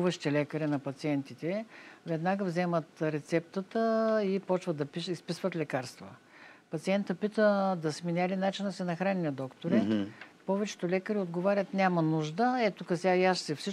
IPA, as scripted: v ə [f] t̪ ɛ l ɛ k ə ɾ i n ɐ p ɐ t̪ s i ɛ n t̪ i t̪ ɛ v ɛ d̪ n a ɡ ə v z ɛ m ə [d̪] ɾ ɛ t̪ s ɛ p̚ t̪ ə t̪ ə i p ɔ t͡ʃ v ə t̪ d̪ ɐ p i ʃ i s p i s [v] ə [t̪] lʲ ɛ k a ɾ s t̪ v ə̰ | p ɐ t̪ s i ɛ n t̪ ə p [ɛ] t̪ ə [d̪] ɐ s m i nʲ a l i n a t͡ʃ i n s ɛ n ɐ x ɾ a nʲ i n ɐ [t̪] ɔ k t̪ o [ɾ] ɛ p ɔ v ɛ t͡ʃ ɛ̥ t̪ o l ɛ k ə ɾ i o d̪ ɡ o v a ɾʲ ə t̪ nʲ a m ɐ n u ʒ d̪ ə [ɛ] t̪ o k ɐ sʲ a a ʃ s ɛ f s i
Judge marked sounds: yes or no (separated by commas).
no, no, yes, yes, no, yes, no, yes, yes